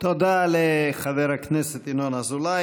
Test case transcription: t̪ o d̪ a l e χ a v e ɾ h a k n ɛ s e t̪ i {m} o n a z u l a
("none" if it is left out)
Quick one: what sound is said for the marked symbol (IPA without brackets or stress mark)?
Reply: n